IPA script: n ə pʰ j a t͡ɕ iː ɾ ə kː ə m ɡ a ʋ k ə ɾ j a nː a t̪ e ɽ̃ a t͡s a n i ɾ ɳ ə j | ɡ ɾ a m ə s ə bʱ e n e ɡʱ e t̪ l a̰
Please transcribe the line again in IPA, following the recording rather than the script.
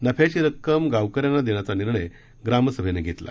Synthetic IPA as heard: n ə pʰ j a t͡ɕ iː ɾ ə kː ə m ɡ a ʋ k ə ɾ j a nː a d̪ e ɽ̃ a t͡s a n i ɾ ɳ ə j | ɡ ɾ a m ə s ə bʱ e n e ɡʱ e t̪ l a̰